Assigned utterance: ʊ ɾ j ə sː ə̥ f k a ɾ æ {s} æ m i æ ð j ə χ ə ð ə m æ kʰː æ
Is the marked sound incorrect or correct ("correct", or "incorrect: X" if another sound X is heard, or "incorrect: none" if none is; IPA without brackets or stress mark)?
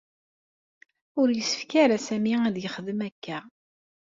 correct